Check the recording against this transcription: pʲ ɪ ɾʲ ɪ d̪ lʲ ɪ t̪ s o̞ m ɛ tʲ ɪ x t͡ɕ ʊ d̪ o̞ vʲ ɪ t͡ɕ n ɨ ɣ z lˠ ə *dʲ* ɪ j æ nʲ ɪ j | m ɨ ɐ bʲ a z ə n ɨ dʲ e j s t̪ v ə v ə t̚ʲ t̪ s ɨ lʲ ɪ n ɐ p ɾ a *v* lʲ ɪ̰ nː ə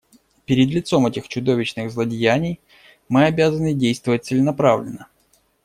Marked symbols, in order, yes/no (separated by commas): yes, yes